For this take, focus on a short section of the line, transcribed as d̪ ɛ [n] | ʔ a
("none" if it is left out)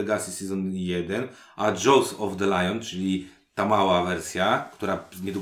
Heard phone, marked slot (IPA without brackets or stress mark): n